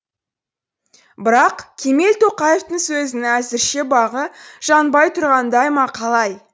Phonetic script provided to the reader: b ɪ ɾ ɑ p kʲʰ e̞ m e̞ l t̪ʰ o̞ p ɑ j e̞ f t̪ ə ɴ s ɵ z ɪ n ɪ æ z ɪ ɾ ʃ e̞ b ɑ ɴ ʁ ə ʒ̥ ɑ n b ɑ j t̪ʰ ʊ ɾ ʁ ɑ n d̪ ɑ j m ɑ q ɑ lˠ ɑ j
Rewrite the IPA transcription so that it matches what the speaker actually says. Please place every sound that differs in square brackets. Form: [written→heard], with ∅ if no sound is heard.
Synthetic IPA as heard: b ɪ ɾ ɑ [p→q] kʲʰ e̞ m e̞ l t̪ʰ o̞ [p→q] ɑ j e̞ f t̪ ə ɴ s ɵ z ɪ n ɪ æ z ɪ ɾ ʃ e̞ b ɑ [ɴ→∅] ʁ ə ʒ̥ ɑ n b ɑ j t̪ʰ ʊ ɾ ʁ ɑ n d̪ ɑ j m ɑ [q→qʰ] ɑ lˠ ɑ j